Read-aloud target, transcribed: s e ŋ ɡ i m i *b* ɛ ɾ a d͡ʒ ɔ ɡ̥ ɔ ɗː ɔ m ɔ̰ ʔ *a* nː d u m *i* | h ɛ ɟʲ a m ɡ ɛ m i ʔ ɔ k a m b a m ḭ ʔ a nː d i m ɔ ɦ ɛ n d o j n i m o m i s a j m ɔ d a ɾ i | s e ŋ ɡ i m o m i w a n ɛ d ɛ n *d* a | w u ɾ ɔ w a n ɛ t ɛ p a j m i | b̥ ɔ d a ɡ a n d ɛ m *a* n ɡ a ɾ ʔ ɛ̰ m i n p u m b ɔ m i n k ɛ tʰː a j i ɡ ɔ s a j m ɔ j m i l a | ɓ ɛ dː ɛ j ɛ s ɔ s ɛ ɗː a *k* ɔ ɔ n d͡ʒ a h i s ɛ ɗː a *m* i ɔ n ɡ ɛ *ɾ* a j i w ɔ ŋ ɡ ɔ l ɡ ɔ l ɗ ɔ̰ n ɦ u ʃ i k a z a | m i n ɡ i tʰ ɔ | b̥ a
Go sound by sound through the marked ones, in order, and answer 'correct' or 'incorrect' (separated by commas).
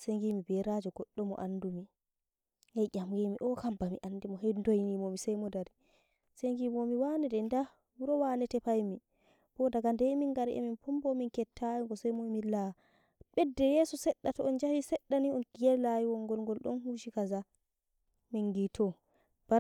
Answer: correct, correct, correct, correct, incorrect, incorrect, incorrect, incorrect